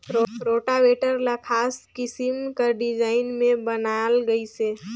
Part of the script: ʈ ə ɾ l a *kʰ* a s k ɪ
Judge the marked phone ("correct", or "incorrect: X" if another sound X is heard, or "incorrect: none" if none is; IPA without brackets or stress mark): correct